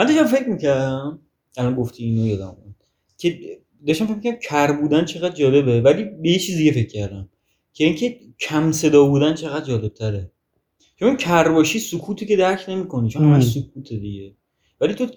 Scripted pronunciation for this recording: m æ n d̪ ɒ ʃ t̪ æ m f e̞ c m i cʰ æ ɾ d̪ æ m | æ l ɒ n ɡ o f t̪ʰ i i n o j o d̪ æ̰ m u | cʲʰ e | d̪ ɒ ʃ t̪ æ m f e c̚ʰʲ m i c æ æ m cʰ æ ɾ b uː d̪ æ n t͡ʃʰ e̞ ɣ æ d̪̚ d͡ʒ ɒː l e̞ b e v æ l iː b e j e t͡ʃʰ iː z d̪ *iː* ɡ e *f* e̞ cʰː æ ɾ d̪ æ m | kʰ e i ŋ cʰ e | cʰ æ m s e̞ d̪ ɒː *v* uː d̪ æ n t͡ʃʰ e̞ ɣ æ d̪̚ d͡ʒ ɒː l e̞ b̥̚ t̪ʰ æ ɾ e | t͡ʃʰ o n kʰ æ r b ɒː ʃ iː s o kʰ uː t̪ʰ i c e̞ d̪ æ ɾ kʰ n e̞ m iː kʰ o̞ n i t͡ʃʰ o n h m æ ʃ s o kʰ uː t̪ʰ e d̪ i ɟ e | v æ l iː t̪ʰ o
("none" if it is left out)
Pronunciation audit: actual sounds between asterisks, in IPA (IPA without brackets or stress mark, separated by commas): i, f, b